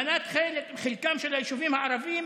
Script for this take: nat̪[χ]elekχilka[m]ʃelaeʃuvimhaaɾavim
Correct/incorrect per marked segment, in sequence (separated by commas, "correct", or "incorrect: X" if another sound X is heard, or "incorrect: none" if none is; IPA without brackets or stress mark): correct, correct